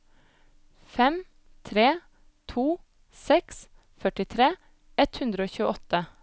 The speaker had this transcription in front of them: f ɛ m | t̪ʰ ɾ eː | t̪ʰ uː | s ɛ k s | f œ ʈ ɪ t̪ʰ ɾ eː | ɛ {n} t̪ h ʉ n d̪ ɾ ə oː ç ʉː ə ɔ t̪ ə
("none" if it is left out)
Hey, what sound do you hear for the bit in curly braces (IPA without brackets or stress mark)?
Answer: none